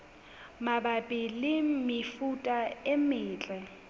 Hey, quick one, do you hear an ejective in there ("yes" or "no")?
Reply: yes